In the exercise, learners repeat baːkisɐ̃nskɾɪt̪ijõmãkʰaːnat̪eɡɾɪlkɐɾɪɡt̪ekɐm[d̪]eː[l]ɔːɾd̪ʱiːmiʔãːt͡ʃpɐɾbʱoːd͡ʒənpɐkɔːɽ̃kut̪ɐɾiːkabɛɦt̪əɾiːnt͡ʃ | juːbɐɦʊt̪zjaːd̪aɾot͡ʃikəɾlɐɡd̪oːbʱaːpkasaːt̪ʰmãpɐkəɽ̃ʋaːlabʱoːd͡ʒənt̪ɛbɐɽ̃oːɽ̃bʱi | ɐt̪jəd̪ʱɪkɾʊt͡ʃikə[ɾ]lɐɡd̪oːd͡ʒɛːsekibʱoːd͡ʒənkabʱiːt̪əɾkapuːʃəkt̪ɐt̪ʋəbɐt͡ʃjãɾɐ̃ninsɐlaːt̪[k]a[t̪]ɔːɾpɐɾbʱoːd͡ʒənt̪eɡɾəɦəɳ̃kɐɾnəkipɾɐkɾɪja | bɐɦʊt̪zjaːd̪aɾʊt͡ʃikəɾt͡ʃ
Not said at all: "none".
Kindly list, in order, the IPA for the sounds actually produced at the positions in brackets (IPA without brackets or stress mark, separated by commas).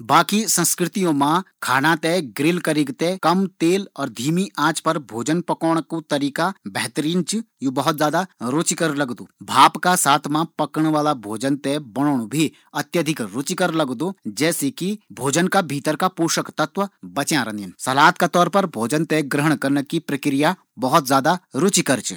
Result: t̪, l, ɾ, k, t̪